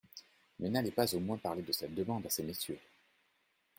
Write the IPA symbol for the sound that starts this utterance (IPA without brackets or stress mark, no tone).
m